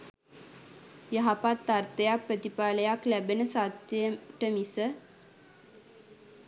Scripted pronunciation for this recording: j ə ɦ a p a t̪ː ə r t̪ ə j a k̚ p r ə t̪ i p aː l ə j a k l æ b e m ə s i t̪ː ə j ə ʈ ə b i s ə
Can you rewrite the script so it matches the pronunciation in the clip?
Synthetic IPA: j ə ɦ a p a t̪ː a r t̪ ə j a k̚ p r ə t̪ i p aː l ə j a k l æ b e n ə s a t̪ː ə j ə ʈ ə m i s ə